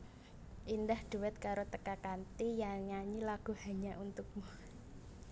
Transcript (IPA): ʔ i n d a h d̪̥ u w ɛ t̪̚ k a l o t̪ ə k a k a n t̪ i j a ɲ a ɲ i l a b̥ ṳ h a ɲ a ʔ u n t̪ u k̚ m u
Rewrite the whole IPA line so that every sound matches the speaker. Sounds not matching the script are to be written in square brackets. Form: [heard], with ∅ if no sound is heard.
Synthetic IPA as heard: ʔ i n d a h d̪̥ u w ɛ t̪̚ k a [ɾ] o t̪ ə k a k a n t̪ i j a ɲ a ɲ i l a [ɡ̥] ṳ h a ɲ a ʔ u n t̪ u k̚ m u